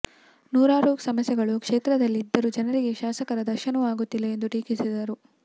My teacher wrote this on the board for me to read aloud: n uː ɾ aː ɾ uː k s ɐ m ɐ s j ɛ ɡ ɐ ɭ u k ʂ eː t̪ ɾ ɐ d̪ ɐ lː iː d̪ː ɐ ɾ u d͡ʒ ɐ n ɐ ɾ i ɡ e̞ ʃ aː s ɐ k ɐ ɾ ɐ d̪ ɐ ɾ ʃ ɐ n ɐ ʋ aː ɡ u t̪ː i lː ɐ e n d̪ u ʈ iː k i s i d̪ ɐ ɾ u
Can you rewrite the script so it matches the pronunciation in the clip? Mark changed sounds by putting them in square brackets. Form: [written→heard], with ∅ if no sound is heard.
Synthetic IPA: n uː ɾ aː ɾ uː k s ɐ m ɐ s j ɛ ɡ ɐ ɭ u k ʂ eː t̪ ɾ ɐ d̪ ɐ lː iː d̪ː ɐ ɾ u d͡ʒ ɐ n ɐ ɾ i ɡ e̞ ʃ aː s ɐ k ɐ ɾ ɐ d̪ ɐ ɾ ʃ ɐ n ɐ ʋ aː ɡ u t̪ː i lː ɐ e n d̪ u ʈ iː k i s i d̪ ɐ ɾ u

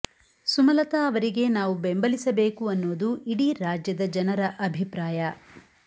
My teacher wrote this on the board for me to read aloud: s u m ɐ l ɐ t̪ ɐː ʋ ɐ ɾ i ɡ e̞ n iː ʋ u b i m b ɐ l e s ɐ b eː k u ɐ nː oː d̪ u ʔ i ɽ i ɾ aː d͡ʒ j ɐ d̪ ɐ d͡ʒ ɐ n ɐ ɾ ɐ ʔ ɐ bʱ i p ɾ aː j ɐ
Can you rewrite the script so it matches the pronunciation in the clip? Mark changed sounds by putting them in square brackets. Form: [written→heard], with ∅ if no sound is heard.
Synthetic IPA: s u m ɐ l ɐ t̪ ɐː ʋ ɐ ɾ i ɡ e̞ n [iː→aː] ʋ u b [i→e] m b ɐ l [e→i] s ɐ b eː k u ɐ nː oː d̪ u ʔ i ɽ i ɾ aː d͡ʒ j ɐ d̪ ɐ d͡ʒ ɐ n ɐ ɾ ɐ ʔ ɐ bʱ i p ɾ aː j ɐ

